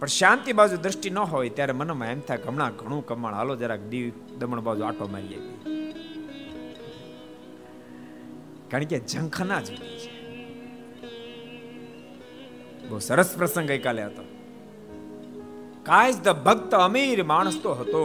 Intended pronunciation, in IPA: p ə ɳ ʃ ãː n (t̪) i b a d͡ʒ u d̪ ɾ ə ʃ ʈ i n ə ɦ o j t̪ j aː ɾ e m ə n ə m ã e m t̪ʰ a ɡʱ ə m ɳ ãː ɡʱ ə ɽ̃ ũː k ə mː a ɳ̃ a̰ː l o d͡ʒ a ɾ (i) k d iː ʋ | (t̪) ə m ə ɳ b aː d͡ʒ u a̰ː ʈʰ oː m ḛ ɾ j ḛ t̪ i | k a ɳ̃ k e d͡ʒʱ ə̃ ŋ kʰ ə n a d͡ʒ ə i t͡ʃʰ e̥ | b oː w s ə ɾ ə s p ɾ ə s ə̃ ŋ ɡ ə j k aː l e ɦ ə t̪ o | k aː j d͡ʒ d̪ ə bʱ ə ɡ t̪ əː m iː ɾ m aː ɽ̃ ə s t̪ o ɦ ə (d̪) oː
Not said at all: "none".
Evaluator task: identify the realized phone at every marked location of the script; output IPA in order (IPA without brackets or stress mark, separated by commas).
t̪, a, d̪, t̪